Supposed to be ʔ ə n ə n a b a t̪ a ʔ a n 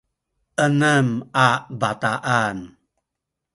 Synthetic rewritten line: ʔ ə n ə m a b a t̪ a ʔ a n